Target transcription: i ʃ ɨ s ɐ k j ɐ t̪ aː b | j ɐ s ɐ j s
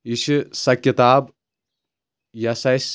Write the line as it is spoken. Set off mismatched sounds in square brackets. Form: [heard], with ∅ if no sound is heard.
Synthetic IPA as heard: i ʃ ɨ s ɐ k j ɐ t̪ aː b | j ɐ s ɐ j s